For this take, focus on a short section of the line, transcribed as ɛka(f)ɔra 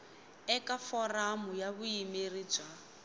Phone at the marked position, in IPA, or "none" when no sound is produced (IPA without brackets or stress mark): f